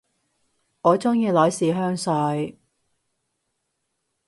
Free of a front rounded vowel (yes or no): no